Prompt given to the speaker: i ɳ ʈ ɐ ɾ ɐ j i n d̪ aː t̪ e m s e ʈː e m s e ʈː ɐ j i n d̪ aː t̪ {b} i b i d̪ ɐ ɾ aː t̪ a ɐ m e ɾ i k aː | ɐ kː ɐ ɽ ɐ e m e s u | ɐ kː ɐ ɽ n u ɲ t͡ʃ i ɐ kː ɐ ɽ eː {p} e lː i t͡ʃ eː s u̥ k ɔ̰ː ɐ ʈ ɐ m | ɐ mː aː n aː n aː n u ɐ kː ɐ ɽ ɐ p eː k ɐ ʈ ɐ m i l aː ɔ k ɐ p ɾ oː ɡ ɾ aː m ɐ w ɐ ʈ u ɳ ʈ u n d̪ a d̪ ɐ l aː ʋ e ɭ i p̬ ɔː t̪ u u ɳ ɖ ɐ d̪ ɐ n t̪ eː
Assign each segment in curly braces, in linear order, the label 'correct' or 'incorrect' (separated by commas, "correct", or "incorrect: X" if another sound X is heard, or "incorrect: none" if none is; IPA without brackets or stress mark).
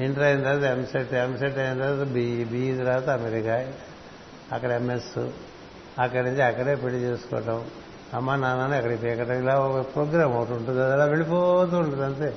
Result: correct, correct